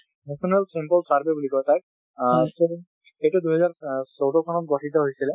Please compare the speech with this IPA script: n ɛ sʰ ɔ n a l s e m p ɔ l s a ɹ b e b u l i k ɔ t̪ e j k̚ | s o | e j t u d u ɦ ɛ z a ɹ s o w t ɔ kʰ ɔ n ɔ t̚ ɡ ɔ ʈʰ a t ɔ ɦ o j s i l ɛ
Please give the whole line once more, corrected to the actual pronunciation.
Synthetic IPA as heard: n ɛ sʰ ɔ n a l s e m p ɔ l s a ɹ b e b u l i k ɔ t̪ a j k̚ | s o | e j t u d u ɦ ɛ z a ɹ s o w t ɔ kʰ ɔ n ɔ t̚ ɡ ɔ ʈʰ i t ɔ ɦ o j s i l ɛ

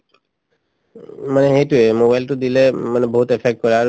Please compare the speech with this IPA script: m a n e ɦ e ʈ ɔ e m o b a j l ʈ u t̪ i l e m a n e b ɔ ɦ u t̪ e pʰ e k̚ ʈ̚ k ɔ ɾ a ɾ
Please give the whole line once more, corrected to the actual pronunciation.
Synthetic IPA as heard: m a n e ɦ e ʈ u e m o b a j l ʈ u d̪ i l e m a n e b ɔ ɦ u t̪ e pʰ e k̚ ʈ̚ k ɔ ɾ a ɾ

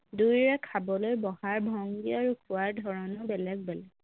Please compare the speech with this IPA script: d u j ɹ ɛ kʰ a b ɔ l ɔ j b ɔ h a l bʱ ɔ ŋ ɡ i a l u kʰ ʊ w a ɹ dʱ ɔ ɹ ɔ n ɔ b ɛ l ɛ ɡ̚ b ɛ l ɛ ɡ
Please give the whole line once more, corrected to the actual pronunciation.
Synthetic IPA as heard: d u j ɹ ɛ kʰ a b ɔ l o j b ɔ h a ɹ bʱ ɔ ŋ ɡ i a ɹ u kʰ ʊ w a ɹ dʱ ɔ ɹ ɔ n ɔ b ɛ l ɛ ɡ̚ b ɛ l ɛ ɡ

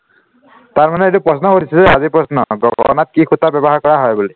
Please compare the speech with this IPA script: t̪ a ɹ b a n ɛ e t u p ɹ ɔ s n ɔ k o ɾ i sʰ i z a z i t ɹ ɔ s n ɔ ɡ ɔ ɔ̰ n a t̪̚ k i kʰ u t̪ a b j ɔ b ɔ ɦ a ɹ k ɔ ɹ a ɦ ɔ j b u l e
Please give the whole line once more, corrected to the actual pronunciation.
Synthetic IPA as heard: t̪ a ɹ m a n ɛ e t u p ɹ ɔ s n ɔ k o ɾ i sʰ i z a z i p ɹ ɔ s n ɔ ɡ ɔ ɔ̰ n a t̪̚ k i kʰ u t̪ a b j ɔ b ɔ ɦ a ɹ k ɔ ɹ a ɦ ɔ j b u l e

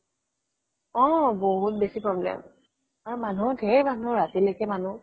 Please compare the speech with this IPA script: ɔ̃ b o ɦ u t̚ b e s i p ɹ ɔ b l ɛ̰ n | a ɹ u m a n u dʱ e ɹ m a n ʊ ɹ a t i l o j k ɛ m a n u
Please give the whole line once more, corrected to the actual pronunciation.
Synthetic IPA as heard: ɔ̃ b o ɦ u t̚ b e s i p ɹ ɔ b l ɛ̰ m | a ɹ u m a n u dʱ e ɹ m a n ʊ ɹ a t i l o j k ɛ m a n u

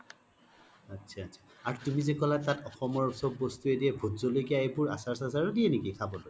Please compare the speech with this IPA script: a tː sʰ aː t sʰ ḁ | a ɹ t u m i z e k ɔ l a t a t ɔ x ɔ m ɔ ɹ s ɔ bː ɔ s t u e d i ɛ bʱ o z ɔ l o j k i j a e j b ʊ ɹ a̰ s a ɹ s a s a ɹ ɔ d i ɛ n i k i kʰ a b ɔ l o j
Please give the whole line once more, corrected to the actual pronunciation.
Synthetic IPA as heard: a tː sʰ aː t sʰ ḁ | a ɹ t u m i z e k ɔ l a t a t ɔ x ɔ m ɔ ɹ s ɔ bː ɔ s t u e d i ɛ bʱ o z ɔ l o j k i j a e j b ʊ ɹ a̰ s a ɹ s a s a ɹ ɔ d i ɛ n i k i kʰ a b ɔ l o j

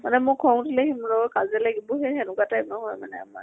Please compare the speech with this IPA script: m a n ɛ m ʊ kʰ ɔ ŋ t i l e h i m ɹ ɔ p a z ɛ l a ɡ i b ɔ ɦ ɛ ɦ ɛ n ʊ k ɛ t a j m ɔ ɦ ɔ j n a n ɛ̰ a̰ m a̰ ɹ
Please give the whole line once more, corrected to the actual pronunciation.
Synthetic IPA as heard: m a n ɛ m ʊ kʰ ɔ ŋ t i l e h i m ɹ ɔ k a z ɛ l a ɡ i b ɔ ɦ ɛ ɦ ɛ n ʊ k a t a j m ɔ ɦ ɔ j m a n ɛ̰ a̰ m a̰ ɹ

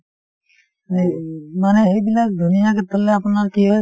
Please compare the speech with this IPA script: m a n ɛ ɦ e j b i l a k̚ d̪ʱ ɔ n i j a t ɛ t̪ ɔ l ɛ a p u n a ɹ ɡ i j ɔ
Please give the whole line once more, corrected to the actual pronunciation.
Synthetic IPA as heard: m a n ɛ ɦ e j b i l a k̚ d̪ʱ u n i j a k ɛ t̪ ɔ l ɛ a p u n a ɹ k i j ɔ

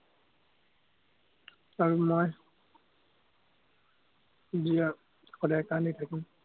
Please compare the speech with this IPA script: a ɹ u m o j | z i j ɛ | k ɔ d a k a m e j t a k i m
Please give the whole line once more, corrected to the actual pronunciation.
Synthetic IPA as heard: a ɹ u m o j | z i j a | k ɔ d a k a n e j tʰ a k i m

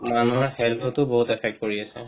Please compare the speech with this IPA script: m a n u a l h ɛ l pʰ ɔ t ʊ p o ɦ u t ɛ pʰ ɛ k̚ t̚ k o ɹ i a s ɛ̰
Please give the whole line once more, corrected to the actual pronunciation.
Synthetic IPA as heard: m a n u a ɹ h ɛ l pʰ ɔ t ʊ b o ɦ u t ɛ pʰ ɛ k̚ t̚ k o ɹ i a s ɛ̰

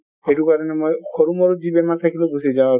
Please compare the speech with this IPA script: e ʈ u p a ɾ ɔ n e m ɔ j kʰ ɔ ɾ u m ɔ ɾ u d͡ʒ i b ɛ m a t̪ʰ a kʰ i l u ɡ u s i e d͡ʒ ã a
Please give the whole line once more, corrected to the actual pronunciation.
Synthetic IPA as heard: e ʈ u k a ɾ ɔ n e m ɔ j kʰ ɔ ɾ u m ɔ ɾ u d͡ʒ i b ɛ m a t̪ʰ a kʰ i l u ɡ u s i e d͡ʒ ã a

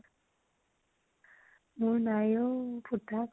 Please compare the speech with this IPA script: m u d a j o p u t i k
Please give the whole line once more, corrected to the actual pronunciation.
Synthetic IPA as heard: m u n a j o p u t a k

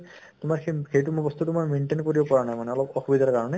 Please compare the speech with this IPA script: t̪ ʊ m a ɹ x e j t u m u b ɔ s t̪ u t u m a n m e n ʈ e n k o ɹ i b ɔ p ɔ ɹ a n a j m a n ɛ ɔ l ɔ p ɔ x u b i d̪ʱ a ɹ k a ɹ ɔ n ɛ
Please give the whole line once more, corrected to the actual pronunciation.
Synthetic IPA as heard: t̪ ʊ m a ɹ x e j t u m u b ɔ s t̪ u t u m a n m e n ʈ e n k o ɹ i b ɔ p ɔ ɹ a n a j m a n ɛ ɔ l ɔ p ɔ x u b i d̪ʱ a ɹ k a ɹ ɔ n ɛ

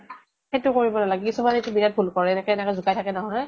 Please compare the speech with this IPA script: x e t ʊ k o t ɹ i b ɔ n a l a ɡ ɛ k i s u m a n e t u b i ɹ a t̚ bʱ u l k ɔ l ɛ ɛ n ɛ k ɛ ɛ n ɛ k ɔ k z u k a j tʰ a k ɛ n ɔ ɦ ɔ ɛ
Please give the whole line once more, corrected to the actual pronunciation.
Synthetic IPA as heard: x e t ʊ k o ɹ i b ɔ n a l a ɡ ɛ k i s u m a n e t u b i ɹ a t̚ bʱ u l k ɔ ɹ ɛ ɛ n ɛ k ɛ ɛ n ɛ k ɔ z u k a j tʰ a k ɛ n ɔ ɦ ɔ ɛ

